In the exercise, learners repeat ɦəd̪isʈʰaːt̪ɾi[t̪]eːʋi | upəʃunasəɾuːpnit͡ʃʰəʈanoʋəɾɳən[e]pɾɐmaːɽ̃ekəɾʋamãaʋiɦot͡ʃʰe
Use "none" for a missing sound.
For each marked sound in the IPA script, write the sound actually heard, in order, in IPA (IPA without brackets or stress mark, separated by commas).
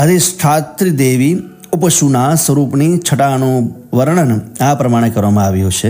d̪, a